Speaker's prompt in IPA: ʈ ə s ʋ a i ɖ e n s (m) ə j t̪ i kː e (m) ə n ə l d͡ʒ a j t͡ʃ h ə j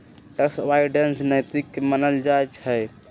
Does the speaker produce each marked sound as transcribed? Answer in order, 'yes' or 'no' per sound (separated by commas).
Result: no, yes